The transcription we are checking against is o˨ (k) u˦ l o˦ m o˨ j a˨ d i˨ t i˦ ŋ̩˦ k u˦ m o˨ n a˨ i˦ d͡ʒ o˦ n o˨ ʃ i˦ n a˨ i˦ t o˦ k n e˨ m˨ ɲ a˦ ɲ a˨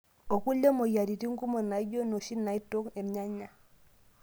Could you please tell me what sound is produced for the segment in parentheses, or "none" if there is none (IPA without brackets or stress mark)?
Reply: k